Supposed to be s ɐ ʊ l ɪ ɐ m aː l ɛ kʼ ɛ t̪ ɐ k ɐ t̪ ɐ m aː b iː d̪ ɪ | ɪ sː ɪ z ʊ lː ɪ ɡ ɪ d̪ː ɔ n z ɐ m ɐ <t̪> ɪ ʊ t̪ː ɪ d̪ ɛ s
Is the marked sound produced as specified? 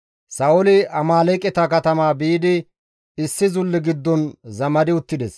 no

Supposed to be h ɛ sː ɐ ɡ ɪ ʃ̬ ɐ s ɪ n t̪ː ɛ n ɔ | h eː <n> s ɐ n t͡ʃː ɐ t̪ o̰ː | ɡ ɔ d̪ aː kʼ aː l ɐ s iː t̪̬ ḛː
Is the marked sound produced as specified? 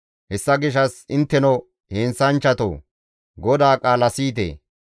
yes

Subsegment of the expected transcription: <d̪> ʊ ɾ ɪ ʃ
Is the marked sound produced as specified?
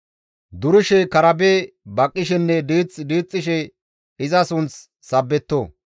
yes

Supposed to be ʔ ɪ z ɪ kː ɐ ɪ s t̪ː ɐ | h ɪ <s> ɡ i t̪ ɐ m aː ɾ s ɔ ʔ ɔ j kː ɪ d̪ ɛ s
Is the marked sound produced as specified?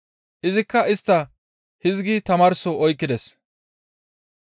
no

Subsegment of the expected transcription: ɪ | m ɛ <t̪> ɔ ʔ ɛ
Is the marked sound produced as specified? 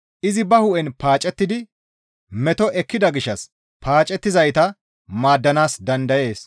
yes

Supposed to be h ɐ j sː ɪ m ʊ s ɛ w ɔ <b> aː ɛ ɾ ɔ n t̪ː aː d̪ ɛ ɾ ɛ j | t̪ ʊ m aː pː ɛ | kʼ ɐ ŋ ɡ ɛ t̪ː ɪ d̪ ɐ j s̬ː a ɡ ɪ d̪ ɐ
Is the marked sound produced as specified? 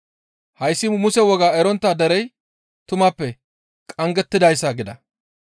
no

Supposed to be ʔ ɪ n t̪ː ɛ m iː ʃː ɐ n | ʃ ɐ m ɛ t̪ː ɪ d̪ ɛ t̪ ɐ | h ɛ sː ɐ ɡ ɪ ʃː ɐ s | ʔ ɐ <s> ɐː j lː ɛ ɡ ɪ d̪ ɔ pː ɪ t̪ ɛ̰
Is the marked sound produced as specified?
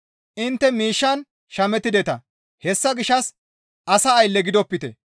yes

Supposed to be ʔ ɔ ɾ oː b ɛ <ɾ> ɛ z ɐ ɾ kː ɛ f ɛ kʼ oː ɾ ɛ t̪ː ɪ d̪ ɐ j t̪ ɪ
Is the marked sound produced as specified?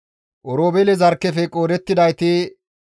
no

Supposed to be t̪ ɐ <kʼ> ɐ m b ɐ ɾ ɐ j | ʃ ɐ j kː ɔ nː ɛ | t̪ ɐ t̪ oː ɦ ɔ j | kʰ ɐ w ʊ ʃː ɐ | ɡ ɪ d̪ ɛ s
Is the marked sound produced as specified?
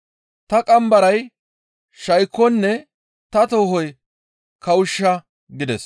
yes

